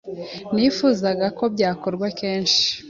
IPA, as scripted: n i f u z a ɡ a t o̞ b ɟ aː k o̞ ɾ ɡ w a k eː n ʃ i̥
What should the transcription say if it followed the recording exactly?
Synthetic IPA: n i f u z a ɡ a k o̞ b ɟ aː k o̞ ɾ ɡ w a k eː n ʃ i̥